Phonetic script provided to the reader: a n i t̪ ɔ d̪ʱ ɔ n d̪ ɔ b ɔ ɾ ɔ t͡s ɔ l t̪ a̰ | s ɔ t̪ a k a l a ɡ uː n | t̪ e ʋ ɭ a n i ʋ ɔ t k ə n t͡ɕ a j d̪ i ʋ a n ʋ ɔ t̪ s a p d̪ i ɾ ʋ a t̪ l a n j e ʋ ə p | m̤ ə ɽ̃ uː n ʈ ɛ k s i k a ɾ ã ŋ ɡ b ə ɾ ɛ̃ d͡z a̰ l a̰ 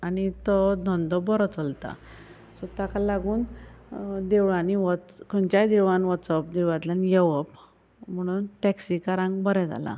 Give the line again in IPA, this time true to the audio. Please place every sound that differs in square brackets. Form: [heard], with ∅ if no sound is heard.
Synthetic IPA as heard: a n i t̪ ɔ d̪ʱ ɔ n d̪ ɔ b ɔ ɾ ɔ t͡s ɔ l t̪ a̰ | s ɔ t̪ a k a l a ɡ uː n | [d̪] e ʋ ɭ a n i ʋ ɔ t k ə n t͡ɕ a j d̪ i ʋ a n ʋ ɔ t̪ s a p d̪ i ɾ ʋ a t̪ l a n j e ʋ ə p | m̤ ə ɽ̃ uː n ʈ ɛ k s i k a ɾ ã ŋ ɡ b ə ɾ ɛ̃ d͡z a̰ l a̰